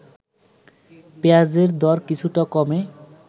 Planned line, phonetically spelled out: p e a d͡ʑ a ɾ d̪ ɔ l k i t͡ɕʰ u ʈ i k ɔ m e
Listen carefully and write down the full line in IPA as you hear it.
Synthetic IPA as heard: p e a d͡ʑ e ɾ d̪ ɔ ɾ k i t͡ɕʰ u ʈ a k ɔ m e